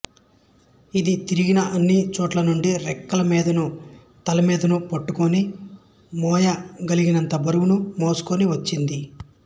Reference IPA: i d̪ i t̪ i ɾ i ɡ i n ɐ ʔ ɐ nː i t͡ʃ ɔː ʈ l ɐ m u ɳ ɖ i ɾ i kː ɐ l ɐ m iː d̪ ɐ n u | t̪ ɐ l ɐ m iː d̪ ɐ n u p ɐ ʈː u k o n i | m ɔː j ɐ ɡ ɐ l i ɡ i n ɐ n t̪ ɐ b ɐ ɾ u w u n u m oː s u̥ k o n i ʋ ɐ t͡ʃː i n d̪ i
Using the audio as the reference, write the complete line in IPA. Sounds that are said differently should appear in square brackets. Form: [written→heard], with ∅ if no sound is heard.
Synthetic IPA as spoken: i d̪ i t̪ i ɾ i ɡ i n ɐ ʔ ɐ nː i t͡ʃ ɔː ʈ l ɐ [m→n] u ɳ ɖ i ɾ [i→ɛ] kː ɐ l ɐ m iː d̪ ɐ n u | t̪ ɐ l ɐ m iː d̪ ɐ n u p ɐ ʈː u k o n i | m ɔː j ɐ ɡ ɐ l i ɡ i n ɐ n t̪ ɐ b ɐ ɾ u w u n u m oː s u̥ k o n i ʋ ɐ t͡ʃː i n d̪ i